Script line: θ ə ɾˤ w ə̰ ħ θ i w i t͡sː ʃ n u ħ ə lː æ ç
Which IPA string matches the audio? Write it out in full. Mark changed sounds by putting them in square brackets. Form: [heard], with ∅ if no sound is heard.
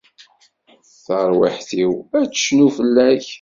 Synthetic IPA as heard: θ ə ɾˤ w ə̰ ħ θ i w [æ] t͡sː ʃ n u [f] ə lː æ ç